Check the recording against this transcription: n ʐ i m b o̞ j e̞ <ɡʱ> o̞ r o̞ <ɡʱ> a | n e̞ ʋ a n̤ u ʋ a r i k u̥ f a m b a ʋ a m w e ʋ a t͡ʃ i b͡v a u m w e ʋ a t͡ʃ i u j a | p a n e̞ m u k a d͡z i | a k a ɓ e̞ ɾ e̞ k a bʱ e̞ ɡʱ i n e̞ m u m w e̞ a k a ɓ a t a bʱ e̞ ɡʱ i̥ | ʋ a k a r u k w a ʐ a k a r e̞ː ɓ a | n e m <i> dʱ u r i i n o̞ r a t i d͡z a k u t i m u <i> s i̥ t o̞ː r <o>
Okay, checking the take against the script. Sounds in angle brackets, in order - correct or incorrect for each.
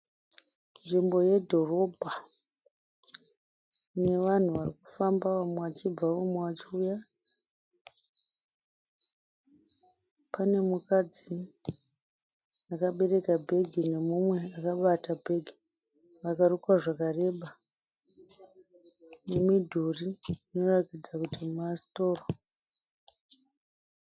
incorrect, incorrect, correct, incorrect, correct

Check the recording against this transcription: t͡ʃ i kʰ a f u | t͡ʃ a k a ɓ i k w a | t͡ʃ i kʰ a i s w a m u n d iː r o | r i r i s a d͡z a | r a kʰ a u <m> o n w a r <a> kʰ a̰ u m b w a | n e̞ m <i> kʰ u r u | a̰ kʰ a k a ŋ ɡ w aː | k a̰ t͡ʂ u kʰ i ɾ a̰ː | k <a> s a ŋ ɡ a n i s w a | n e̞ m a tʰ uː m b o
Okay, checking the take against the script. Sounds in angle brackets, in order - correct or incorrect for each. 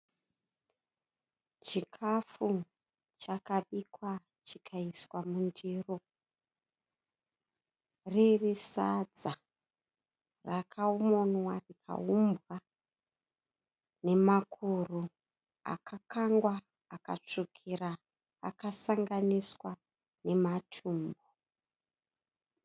correct, incorrect, incorrect, correct

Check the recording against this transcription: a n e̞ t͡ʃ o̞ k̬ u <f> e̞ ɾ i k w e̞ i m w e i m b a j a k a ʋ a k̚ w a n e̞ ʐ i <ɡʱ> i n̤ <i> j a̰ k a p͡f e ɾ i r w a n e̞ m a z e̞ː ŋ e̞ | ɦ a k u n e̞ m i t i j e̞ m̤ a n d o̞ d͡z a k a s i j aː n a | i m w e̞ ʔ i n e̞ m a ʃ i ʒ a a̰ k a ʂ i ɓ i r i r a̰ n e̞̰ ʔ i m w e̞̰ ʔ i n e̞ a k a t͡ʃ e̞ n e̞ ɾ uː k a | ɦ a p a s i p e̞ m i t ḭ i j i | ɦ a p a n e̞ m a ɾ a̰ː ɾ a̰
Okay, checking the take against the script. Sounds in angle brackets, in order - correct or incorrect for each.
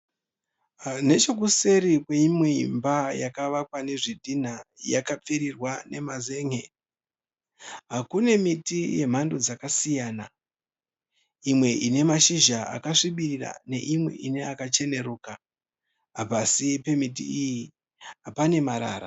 incorrect, incorrect, incorrect

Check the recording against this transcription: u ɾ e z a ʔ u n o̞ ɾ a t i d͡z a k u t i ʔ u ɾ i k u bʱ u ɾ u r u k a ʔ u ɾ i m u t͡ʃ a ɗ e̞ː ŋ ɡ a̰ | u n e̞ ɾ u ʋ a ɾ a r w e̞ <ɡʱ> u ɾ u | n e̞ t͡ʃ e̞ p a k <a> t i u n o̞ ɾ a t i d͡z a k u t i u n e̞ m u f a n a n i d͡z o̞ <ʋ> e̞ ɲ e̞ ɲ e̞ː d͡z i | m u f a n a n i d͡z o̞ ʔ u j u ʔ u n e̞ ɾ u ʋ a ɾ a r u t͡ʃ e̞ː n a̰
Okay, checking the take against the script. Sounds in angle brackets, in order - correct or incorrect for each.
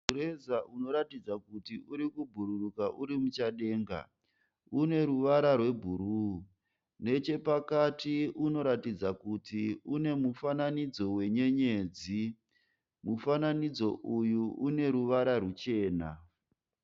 incorrect, correct, incorrect

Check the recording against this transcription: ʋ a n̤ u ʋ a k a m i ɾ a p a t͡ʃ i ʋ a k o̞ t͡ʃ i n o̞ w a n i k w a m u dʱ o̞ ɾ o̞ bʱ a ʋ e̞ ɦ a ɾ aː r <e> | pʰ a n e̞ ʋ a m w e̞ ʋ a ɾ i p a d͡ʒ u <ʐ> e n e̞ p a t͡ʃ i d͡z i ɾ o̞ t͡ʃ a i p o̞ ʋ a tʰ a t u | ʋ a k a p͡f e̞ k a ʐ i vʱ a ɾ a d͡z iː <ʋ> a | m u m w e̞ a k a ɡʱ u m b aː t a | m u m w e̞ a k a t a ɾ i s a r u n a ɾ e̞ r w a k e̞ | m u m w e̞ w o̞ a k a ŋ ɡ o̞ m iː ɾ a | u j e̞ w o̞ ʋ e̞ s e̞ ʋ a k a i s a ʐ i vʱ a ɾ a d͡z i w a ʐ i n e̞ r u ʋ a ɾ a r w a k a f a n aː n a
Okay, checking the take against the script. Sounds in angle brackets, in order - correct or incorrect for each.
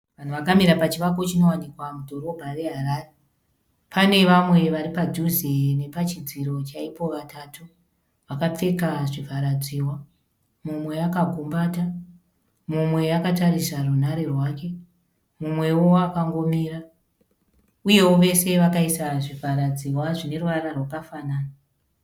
correct, incorrect, incorrect

